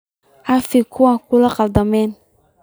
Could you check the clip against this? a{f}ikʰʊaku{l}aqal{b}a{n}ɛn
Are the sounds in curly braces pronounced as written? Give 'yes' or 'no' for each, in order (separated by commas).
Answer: yes, yes, no, no